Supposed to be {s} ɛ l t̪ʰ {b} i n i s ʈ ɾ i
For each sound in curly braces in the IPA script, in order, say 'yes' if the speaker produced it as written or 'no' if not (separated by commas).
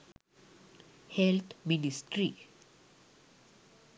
no, no